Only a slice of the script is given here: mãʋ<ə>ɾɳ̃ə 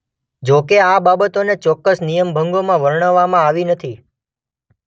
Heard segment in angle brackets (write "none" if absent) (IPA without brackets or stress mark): ə